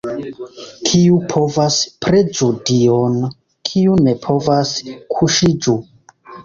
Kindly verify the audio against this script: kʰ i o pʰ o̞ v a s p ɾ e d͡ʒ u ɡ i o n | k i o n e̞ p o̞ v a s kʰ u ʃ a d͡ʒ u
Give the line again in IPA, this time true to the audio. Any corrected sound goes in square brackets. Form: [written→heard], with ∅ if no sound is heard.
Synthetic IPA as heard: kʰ i [o→u] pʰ o̞ v a s p ɾ e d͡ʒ u [ɡ→d] i o n | [k→kʰ] i [o→u] n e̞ [p→pʰ] o̞ v a s kʰ u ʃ [a→i] d͡ʒ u